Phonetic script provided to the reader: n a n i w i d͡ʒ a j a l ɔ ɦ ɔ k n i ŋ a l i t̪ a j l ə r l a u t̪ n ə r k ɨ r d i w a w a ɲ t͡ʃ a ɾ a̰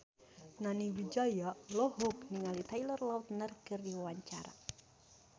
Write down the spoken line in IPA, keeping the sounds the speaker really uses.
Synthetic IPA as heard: n a n i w i d͡ʒ a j a l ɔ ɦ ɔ k n i ŋ a l i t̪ a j l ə r l a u t̪ n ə r k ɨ r d i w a w a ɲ t͡ʃ a ɾ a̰